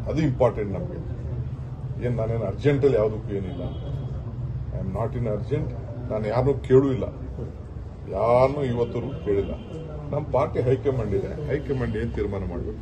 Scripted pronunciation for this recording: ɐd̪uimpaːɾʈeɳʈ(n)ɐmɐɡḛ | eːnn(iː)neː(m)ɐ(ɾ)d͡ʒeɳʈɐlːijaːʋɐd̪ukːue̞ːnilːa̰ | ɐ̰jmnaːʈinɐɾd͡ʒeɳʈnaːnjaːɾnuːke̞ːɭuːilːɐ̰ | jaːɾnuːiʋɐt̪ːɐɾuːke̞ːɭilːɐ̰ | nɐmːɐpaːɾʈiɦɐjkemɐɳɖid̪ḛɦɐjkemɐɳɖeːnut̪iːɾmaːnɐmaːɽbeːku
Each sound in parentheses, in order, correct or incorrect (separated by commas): correct, incorrect, incorrect, correct